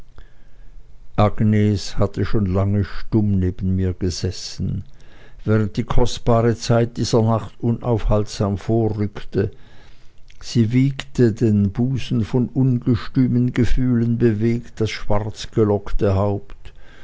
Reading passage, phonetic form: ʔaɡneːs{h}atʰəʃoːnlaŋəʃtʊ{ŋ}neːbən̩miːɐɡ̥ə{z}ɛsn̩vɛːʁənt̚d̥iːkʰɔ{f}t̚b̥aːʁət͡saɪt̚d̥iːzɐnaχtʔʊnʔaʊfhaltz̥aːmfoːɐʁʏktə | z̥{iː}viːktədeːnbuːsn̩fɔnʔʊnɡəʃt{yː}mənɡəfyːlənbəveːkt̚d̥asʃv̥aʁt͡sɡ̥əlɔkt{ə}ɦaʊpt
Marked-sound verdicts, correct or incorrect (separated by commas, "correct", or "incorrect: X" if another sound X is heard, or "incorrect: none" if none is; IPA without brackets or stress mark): correct, incorrect: m, correct, incorrect: s, correct, correct, correct